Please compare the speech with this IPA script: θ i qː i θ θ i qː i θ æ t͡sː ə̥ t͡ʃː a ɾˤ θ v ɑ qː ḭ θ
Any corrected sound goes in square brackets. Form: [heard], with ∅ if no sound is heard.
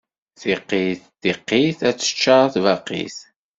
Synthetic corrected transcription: θ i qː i θ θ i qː i θ æ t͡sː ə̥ t͡ʃː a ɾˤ θ v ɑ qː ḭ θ